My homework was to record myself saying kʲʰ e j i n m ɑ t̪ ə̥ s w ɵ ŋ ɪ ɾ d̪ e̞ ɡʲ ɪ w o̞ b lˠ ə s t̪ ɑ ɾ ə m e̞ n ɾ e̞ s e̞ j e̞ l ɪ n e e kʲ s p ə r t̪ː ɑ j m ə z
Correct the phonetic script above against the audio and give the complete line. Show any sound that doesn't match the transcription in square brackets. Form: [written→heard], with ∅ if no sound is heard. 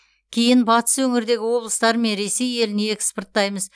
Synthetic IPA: kʲʰ e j [i→ɪ] n [m→b] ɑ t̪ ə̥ s w ɵ ŋ ɪ ɾ d̪ e̞ ɡʲ ɪ w o̞ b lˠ ə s t̪ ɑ ɾ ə m e̞ n ɾ e̞ s e̞ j e̞ l ɪ n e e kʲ s p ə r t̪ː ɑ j m ə z

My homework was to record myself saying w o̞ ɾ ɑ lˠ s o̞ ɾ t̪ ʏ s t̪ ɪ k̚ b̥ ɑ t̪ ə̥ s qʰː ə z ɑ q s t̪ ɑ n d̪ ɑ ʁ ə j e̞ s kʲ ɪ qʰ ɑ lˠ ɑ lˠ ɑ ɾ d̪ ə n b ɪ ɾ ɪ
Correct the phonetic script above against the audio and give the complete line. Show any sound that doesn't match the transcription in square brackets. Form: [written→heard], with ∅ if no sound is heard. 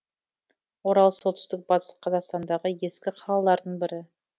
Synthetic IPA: w o̞ ɾ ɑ lˠ s o̞ [ɾ→l] t̪ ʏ s t̪ ɪ k̚ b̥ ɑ t̪ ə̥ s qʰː [ə→ɑ] z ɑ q s t̪ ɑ n d̪ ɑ ʁ ə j e̞ s kʲ ɪ qʰ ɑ lˠ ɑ lˠ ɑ ɾ d̪ ə [n→ɴ] b ɪ ɾ ɪ

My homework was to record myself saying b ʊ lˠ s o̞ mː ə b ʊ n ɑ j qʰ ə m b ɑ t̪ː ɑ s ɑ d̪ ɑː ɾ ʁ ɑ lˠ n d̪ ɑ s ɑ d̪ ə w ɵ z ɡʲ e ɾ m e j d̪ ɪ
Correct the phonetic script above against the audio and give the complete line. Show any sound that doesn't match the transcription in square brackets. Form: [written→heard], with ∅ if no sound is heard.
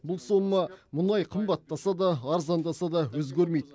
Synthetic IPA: b ʊ lˠ s o̞ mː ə [b→m] ʊ n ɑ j qʰ ə m b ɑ t̪ː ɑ s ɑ d̪ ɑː ɾ [ʁ→z] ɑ [lˠ→∅] n d̪ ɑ s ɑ d̪ [ə→ɑ] w ɵ z ɡʲ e ɾ m e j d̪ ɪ

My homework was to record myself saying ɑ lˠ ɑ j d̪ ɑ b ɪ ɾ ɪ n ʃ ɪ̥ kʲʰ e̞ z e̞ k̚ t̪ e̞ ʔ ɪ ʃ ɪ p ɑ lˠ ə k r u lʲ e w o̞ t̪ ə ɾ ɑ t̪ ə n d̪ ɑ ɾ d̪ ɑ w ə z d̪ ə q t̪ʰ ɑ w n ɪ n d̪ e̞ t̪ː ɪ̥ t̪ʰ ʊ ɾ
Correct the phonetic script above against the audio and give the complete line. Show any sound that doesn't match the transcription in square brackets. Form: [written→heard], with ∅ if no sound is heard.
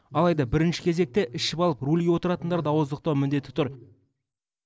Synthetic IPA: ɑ lˠ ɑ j d̪ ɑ b ɪ ɾ ɪ n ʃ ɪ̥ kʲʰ e̞ z e̞ k̚ t̪ e̞ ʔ ɪ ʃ ɪ p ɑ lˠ ə [k→p] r u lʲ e w o̞ t̪ ə ɾ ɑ t̪ ə n d̪ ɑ ɾ d̪ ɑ w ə z d̪ ə q [t̪ʰ→t̪] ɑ w [n→m] ɪ n d̪ e̞ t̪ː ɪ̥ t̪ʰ ʊ ɾ

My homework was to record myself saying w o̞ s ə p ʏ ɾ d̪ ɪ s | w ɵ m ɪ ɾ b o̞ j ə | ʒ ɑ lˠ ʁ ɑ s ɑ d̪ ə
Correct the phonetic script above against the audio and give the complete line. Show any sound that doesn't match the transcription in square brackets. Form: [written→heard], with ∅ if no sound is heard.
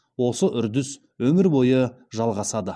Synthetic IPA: w o̞ s ə [p→ʔ] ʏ ɾ d̪ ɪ s | w ɵ m ɪ ɾ b o̞ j ə | ʒ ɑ lˠ ʁ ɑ s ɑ d̪ ə

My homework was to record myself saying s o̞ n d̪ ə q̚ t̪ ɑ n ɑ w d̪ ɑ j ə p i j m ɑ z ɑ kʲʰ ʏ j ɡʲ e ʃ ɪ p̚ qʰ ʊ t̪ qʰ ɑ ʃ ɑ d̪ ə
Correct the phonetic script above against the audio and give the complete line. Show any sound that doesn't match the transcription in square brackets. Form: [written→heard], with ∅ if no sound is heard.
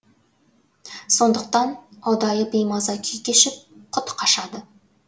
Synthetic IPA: s o̞ n d̪ ə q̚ t̪ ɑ n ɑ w d̪ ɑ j ə [p→b] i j m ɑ z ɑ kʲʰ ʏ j [ɡʲ→kʲ] e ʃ ɪ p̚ qʰ ʊ t̪ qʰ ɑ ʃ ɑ d̪ ə

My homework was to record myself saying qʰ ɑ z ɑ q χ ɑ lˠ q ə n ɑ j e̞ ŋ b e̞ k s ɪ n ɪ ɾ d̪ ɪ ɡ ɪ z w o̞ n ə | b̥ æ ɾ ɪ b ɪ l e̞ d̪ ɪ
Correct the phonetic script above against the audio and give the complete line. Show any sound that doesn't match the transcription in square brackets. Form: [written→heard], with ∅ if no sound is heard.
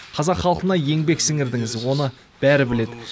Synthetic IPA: qʰ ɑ z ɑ q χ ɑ lˠ q ə n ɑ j e̞ ŋ b e̞ k s ɪ [n→ŋ] ɪ ɾ d̪ ɪ [ɡ→ŋ] ɪ z w o̞ n ə | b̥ æ ɾ ɪ b ɪ l e̞ d̪ ɪ

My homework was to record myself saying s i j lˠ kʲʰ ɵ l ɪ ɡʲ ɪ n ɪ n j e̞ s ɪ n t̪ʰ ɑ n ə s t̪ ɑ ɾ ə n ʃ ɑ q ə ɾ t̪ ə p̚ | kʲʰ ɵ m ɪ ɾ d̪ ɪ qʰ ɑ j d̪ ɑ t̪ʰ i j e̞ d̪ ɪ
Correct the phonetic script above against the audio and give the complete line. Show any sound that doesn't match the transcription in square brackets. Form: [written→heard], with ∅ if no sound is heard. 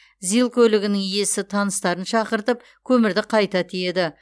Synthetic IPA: [s→z] i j lˠ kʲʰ ɵ l ɪ ɡʲ ɪ n ɪ [n→ŋ] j e̞ s ɪ [n→∅] t̪ʰ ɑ n ə s t̪ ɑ ɾ ə n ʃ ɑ q ə ɾ t̪ ə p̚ | kʲʰ ɵ m ɪ ɾ d̪ ɪ qʰ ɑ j [d̪→t̪] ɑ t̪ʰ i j e̞ d̪ ɪ

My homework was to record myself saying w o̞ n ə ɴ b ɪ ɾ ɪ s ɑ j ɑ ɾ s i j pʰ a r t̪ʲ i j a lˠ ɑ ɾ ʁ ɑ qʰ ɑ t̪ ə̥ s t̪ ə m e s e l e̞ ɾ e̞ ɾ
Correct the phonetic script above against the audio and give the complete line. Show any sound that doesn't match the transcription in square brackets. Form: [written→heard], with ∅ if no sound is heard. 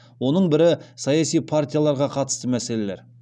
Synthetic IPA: w o̞ n ə ɴ b ɪ ɾ ɪ s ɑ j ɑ [ɾ→∅] s i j pʰ a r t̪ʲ i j a lˠ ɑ ɾ ʁ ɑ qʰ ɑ t̪ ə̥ s t̪ ə m [e→æ] s e l e̞ [ɾ→l] e̞ ɾ

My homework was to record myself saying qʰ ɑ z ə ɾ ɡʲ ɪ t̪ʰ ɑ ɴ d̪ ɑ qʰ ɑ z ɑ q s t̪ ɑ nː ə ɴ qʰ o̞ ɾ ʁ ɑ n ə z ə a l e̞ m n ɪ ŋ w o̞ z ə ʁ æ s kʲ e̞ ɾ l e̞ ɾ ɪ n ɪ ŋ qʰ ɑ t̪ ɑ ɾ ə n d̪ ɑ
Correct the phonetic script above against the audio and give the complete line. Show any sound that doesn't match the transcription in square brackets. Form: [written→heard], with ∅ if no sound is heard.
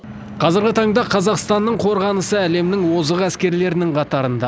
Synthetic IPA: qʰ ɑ z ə ɾ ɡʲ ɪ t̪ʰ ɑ ɴ d̪ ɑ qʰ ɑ z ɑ q s t̪ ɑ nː ə ɴ qʰ o̞ ɾ ʁ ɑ n ə [z→s] ə [a→æ] l e̞ m n ɪ ŋ w o̞ z ə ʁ æ s kʲ e̞ ɾ l e̞ ɾ ɪ n ɪ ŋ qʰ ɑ t̪ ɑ ɾ ə n d̪ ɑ

